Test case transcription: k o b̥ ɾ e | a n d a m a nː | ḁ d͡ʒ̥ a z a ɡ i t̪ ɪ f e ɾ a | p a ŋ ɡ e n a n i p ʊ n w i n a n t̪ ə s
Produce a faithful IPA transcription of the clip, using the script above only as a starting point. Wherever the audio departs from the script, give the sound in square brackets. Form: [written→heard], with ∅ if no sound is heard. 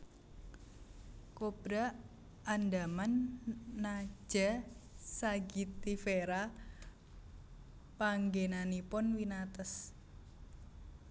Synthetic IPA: k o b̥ ɾ [e→a] | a n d a m a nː | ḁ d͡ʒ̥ a [z→s] a ɡ i t̪ [ɪ→i] f e ɾ a | p a ŋ ɡ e n a n i p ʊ n w i n a [n→∅] t̪ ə s